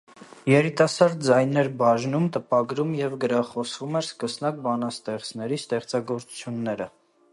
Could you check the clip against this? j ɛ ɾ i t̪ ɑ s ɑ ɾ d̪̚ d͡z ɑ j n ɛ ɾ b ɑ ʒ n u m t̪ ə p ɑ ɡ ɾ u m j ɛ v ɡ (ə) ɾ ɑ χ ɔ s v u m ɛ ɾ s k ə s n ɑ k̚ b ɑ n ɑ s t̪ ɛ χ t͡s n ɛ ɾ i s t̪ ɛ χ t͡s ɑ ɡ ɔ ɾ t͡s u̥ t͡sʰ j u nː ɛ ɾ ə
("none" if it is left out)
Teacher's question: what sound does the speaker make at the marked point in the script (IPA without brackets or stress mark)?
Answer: ə